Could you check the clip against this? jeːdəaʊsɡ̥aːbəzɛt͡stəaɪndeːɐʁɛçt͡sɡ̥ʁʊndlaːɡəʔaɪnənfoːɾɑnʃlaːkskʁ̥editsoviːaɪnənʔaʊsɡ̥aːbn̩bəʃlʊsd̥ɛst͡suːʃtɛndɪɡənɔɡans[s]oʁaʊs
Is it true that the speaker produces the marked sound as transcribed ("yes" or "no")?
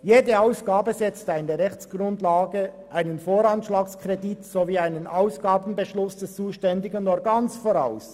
no